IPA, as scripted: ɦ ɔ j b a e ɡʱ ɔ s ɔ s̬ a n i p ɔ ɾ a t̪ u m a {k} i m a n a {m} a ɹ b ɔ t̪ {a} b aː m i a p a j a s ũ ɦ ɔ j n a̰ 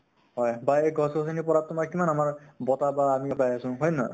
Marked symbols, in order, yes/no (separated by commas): yes, yes, yes